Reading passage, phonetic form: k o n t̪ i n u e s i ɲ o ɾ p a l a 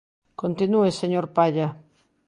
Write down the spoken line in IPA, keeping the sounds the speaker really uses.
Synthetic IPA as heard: k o n t̪ i n u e s e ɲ o ɾ p a ʎ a